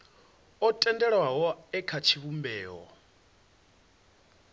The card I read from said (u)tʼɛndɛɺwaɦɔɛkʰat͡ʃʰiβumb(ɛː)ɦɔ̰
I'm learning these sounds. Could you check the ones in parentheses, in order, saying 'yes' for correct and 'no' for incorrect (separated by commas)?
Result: no, yes